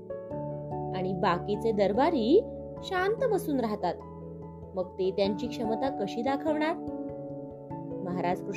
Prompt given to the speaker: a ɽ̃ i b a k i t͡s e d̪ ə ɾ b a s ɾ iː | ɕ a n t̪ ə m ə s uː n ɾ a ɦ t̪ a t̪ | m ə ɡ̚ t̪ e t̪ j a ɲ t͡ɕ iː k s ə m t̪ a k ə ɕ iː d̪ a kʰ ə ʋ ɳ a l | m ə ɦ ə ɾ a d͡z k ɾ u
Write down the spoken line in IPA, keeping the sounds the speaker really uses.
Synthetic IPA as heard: a ɽ̃ i b a k i t͡s e d̪ ə ɾ b a ɾ iː | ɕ a n t̪ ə m ə s uː n ɾ a ɦ t̪ a t̪ | m ə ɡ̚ t̪ e t̪ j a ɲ t͡ɕ iː k ʂ ə m t̪ a k ə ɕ iː d̪ a kʰ ə ʋ ɳ a ɾ | m ə ɦ a ɾ a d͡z k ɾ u